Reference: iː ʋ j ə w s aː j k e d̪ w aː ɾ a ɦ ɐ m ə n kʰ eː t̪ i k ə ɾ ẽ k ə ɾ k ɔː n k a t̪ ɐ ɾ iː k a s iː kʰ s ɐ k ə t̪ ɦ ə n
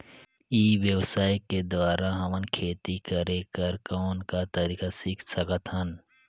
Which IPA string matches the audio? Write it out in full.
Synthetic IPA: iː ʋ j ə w s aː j k e d̪ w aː ɾ a ɦ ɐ m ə n kʰ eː t̪ i k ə ɾ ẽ k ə ɾ k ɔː n k a t̪ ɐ ɾ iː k a s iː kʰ s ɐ k ə t̪ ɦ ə n

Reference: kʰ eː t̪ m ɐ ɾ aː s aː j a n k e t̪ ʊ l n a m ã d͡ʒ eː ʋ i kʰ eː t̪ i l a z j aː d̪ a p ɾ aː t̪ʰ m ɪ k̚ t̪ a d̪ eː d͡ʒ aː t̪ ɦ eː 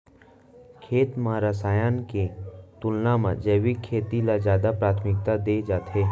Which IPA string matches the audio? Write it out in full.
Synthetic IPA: kʰ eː t̪ m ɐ ɾ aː s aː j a n k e t̪ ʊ l n a m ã d͡ʒ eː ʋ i kʰ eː t̪ i l a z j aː d̪ a p ɾ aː t̪ʰ m ɪ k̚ t̪ a d̪ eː d͡ʒ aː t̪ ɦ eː

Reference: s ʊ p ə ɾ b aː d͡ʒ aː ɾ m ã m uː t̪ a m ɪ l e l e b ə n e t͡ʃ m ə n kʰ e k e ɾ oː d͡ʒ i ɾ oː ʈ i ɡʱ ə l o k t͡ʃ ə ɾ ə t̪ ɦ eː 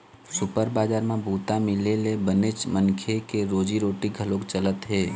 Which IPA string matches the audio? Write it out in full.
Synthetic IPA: s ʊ p ə ɾ b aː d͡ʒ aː ɾ m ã b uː t̪ a m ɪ l e l e b ə n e t͡ʃ m ə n kʰ e k e ɾ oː d͡ʒ i ɾ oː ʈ i ɡʱ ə l o k t͡ʃ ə l ə t̪ ɦ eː

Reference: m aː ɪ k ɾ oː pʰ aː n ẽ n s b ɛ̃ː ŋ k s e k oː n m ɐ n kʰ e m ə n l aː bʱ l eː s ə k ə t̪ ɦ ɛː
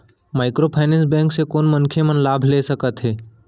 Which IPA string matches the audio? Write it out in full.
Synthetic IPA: m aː ɪ k ɾ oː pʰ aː n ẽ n s b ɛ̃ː ŋ k s e k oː n m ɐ n kʰ e m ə n l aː bʱ l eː s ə k ə t̪ ɦ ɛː

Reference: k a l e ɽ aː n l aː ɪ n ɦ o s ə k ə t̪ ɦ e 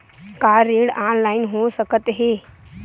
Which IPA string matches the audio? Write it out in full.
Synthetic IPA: k a ɾ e ɽ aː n l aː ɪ n ɦ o s ə k ə t̪ ɦ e

